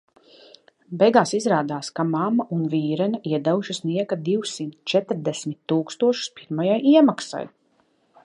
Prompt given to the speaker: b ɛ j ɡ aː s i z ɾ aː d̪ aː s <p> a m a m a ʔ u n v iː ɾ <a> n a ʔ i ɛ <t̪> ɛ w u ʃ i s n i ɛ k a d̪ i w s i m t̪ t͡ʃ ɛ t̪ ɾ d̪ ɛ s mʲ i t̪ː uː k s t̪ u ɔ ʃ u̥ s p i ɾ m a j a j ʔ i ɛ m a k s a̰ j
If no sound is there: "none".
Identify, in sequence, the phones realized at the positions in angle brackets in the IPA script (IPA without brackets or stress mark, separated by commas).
k, ɛ, d̪